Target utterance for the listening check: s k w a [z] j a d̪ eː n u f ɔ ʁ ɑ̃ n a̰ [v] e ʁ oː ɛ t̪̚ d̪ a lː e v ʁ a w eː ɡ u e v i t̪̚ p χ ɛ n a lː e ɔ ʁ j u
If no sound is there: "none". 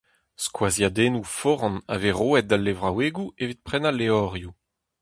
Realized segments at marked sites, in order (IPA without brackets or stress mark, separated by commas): z, v